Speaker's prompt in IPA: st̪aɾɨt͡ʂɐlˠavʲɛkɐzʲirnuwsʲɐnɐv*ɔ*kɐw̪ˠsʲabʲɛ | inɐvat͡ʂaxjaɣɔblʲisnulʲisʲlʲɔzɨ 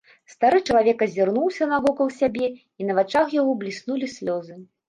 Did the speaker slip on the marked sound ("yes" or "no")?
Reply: no